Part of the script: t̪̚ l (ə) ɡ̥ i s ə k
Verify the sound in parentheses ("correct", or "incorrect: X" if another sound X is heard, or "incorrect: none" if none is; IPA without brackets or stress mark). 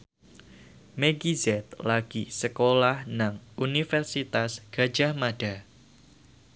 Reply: incorrect: a